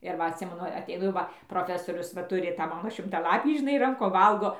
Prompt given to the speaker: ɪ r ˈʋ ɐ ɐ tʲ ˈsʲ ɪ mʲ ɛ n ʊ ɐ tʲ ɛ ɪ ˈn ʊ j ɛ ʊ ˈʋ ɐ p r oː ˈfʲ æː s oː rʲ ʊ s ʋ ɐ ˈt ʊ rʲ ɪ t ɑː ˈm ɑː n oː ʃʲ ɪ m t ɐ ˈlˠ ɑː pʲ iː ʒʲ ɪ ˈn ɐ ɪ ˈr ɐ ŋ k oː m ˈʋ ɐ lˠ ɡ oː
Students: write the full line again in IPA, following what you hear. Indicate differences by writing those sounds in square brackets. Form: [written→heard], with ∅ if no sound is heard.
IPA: ɪ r ˈʋ ɐ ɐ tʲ ˈsʲ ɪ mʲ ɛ n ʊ ɐ tʲ ɛ ɪ ˈn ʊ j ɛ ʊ ˈʋ ɐ p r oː ˈfʲ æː s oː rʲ ʊ s ʋ ɐ ˈt ʊ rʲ ɪ t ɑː ˈm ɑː n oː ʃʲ ɪ m t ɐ ˈlˠ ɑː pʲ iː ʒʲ ɪ ˈn ɐ ɪ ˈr ɐ ŋ k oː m ˈʋ ɐ lˠ ɡ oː